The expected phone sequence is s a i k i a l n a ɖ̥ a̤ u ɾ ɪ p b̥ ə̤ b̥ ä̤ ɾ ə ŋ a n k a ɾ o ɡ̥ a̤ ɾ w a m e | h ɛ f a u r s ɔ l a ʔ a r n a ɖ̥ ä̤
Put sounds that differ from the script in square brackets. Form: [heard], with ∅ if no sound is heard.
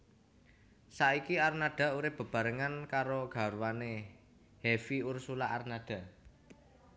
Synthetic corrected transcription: s a i k i a [r] n a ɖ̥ a̤ u ɾ ɪ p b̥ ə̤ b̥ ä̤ ɾ ə ŋ a n k a ɾ o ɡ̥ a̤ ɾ w a [n] e | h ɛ f [i] u r s [u] l a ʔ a r n a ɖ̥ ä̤